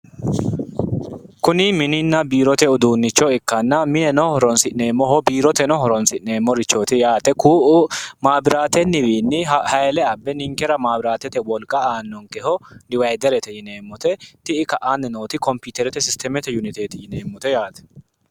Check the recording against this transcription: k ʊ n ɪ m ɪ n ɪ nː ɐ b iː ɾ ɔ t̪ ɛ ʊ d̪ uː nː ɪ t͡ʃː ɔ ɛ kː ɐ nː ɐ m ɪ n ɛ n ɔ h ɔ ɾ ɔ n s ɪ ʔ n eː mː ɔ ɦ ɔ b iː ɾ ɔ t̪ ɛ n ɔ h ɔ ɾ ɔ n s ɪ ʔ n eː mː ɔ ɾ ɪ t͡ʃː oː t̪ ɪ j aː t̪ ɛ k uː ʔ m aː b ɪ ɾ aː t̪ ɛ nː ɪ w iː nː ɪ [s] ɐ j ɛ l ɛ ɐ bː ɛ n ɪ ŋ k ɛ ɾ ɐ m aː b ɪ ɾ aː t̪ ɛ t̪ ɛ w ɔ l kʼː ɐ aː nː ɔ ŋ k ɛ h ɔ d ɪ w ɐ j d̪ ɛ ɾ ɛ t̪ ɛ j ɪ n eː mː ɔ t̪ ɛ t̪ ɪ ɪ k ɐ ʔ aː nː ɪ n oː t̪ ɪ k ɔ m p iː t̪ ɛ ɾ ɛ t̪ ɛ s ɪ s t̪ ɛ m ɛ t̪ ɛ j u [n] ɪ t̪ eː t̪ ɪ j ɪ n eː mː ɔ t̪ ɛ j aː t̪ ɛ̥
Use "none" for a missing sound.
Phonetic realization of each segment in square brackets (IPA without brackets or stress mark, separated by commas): h, n